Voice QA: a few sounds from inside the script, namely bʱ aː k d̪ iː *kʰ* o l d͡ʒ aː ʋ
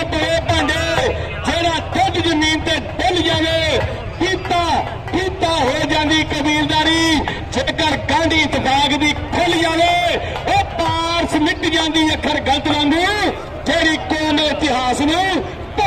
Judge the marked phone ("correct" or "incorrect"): correct